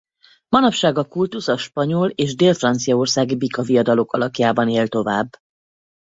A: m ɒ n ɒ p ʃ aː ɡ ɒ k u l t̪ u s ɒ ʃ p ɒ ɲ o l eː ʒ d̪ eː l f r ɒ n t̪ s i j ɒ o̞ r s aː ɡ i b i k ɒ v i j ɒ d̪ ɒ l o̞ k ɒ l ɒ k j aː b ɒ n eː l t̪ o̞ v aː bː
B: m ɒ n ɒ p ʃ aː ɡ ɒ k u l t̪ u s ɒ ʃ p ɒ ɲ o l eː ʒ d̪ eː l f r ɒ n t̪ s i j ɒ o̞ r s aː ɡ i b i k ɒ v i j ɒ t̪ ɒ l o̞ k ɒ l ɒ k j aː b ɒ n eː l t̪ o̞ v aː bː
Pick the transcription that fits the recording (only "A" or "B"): A